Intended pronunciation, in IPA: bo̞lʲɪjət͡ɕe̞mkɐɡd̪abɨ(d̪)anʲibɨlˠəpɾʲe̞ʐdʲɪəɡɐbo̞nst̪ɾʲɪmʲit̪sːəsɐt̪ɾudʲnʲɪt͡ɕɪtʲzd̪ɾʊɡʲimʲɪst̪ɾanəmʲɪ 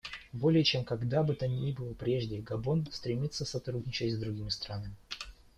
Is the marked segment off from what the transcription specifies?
yes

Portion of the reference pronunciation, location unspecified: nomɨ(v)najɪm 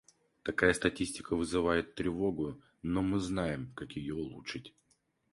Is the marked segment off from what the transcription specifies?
yes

